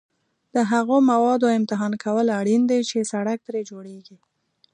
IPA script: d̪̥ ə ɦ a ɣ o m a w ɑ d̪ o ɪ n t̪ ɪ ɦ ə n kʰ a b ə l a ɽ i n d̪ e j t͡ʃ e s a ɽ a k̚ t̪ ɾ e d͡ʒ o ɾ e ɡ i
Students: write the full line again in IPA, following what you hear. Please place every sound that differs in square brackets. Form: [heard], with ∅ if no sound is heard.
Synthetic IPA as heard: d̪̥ ə ɦ a ɣ o m a w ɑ d̪ o ɪ [m] t̪ ɪ ɦ [ɑ] n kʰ a [w] ə l a ɽ i n d̪ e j t͡ʃ e s a ɽ a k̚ t̪ ɾ e d͡ʒ o [ɽ] e ɡ i